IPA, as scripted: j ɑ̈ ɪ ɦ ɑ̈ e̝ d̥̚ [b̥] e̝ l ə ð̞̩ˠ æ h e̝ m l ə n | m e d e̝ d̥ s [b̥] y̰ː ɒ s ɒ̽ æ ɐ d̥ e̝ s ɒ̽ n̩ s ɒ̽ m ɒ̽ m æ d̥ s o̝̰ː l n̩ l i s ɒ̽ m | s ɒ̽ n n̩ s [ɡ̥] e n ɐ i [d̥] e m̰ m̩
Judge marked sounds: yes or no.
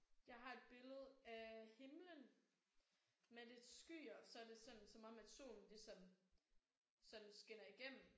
yes, no, yes, no

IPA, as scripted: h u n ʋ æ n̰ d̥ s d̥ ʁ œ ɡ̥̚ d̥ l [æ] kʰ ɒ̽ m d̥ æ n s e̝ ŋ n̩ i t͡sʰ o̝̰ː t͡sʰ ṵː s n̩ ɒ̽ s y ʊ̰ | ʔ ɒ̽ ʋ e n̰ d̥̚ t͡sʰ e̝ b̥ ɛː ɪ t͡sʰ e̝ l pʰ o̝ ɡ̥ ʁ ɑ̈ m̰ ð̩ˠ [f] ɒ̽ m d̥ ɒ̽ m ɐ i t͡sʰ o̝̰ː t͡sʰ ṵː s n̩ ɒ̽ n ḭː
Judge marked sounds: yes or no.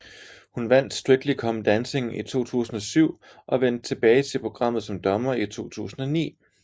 no, no

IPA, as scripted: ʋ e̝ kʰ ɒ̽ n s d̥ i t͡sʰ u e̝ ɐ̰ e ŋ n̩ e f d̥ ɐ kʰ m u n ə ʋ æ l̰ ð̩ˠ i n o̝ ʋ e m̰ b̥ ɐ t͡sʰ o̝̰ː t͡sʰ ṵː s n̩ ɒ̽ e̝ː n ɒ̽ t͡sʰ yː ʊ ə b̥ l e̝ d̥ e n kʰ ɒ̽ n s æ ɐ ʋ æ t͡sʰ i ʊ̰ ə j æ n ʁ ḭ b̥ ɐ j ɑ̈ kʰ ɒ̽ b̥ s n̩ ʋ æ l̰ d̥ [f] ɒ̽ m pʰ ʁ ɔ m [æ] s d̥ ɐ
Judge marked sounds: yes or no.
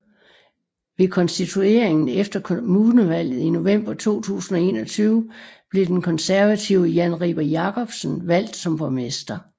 no, no

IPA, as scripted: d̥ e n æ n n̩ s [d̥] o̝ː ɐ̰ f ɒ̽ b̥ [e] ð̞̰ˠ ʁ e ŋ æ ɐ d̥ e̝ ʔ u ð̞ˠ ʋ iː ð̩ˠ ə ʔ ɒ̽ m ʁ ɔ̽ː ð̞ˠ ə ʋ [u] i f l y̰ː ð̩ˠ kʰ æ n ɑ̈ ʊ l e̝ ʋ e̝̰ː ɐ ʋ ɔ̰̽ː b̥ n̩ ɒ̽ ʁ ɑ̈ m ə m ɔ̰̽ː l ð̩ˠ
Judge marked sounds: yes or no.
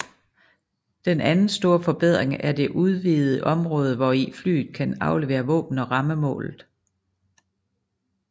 yes, yes, no

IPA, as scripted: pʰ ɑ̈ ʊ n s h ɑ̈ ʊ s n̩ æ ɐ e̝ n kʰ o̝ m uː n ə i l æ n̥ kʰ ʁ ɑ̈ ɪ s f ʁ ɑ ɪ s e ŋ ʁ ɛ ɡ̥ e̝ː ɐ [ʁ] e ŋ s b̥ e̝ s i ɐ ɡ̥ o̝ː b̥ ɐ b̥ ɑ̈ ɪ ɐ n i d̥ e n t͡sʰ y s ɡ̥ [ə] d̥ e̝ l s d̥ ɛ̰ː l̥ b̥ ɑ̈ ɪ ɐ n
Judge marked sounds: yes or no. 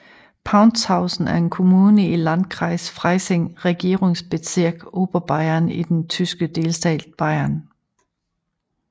yes, yes

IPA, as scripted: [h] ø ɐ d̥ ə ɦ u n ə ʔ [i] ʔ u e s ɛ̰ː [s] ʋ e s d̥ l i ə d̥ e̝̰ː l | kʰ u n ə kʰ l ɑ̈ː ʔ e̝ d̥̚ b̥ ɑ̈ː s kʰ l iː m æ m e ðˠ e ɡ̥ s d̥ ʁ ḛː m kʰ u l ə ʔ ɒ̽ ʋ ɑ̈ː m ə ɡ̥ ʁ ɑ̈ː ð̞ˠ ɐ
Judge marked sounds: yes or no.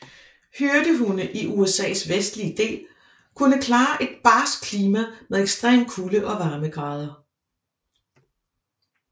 yes, yes, yes

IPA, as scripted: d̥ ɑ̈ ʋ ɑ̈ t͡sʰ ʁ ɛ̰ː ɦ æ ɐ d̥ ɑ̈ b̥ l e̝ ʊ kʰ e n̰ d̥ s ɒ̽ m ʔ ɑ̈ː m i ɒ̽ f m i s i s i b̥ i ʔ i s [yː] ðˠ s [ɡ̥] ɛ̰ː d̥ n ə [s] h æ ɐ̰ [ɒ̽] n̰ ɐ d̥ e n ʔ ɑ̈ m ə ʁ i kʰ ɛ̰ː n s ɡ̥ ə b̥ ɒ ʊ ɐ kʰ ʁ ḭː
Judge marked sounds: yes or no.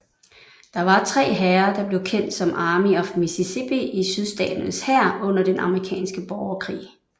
no, no, yes, no

